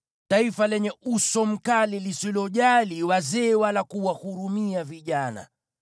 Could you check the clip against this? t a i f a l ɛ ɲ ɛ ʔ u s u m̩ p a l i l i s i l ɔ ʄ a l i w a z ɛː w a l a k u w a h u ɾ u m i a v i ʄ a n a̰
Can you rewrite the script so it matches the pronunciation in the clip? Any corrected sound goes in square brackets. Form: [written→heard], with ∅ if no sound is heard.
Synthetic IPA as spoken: t a i f a l ɛ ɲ ɛ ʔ u s [u→ɔ] m̩ [p→k] a l i l i s i l ɔ ʄ a l i w a z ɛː w a l a k u w a h u ɾ u m i a v i ʄ a n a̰